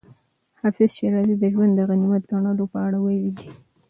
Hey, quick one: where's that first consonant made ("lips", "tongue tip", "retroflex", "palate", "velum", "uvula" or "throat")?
throat